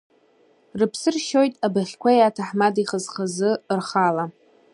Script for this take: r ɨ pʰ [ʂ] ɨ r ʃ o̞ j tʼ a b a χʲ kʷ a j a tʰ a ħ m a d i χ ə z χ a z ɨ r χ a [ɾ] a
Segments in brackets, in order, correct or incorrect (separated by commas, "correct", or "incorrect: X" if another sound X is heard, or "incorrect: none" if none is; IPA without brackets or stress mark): incorrect: s, incorrect: l